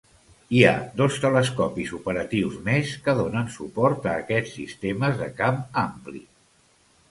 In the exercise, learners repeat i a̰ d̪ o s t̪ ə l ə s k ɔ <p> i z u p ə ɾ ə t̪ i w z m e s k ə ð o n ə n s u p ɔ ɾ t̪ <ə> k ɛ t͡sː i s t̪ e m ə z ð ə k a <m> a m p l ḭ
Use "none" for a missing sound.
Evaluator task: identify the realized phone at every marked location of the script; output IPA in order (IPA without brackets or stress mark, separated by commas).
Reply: p, əː, m